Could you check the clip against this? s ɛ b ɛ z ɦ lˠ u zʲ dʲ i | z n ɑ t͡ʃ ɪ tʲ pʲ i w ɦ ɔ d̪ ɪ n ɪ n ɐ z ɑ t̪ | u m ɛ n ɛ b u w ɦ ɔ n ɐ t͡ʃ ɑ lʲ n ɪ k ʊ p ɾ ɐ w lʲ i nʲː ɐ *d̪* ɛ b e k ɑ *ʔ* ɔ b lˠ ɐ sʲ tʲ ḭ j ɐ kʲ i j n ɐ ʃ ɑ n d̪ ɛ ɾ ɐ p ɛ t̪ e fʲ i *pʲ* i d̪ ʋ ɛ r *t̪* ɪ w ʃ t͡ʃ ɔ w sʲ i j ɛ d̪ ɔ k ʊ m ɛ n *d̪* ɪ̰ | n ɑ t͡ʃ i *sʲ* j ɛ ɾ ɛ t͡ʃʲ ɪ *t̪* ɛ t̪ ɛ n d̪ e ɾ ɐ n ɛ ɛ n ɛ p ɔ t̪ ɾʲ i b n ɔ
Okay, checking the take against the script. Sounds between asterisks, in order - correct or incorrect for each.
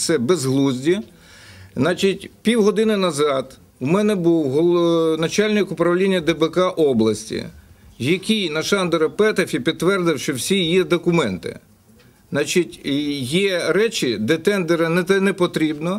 correct, correct, correct, incorrect, incorrect, incorrect, incorrect

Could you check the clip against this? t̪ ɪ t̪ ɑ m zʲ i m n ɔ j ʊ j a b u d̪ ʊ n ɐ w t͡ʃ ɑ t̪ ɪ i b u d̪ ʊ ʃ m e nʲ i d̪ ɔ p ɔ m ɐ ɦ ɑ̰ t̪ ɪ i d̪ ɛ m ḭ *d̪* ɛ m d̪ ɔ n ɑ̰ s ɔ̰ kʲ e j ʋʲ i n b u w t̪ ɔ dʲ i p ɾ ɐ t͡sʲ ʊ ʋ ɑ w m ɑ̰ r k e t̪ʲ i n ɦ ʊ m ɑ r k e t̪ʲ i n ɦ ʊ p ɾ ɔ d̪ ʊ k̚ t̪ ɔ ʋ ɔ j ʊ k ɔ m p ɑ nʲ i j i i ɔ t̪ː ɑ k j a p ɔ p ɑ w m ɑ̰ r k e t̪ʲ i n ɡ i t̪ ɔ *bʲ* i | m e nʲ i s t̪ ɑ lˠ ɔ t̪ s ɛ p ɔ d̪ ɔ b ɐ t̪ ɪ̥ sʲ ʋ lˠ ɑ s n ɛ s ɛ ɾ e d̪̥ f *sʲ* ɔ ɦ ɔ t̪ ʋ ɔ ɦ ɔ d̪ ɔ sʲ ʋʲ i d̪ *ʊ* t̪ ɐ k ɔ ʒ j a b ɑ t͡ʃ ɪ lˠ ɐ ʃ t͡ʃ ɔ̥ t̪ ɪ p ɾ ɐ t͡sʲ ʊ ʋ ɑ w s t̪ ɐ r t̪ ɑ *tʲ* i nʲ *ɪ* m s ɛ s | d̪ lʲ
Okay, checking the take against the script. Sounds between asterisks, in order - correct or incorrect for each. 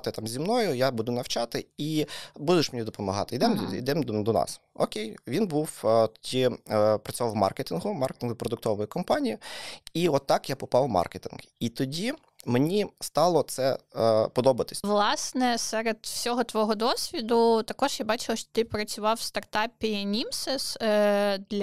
correct, incorrect, correct, correct, incorrect, incorrect

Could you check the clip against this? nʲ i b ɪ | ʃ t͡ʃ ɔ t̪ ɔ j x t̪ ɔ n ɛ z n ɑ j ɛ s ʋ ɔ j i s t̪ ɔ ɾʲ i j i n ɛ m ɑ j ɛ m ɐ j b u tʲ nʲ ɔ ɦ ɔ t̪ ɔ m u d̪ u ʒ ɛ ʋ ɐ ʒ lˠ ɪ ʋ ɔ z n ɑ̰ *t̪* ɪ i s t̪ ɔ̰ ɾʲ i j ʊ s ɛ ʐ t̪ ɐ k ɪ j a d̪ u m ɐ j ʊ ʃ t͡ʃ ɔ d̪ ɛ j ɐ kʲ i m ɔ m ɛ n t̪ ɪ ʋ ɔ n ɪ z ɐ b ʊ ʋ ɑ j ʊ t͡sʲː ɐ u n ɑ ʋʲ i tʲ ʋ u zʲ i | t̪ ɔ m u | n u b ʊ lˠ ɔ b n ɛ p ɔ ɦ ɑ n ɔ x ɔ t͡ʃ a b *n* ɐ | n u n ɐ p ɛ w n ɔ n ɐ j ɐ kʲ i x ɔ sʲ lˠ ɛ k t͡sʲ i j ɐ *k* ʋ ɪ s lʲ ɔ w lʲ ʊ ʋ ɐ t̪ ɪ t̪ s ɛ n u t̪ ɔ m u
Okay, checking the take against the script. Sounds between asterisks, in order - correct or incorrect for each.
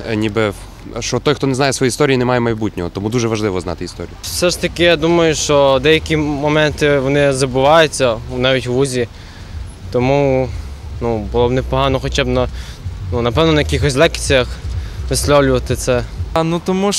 correct, correct, incorrect

